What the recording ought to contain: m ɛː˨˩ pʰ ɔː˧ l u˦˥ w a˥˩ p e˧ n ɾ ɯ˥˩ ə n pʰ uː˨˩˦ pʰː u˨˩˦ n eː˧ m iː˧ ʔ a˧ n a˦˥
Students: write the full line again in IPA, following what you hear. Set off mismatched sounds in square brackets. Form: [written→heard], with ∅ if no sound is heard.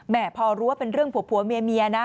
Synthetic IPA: m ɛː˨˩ pʰ ɔː˧ [l→ɾ] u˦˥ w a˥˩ p e˧ n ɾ ɯ˥˩ ə [n→ŋ] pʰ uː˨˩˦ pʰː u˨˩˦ [n→m] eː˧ m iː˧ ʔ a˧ n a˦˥

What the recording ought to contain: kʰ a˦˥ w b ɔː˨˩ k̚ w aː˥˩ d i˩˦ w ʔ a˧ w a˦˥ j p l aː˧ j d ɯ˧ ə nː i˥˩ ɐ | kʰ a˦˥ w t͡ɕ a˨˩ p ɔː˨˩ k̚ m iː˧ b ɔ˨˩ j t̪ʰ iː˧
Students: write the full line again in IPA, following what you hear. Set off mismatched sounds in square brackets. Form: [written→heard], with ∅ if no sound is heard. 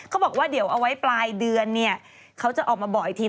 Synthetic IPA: kʰ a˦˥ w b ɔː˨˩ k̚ w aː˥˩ d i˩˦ w ʔ a˧ w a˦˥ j p l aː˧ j d ɯ˧ ə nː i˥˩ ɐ | kʰ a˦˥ w t͡ɕ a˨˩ [p→ʔ] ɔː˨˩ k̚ m [iː˧→aː˧] b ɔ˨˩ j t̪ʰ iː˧

